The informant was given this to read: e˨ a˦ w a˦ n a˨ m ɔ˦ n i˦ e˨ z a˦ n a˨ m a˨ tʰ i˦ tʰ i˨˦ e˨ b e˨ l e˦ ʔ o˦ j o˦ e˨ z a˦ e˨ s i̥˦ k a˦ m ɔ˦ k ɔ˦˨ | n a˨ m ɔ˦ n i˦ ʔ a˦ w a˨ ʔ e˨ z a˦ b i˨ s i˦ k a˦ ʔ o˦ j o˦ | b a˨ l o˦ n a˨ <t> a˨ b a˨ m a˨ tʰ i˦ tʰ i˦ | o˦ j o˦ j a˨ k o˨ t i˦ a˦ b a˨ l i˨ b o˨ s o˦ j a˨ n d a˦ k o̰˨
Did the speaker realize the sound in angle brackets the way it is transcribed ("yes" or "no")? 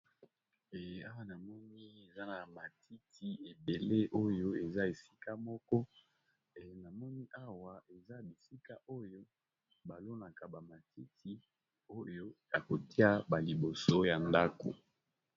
no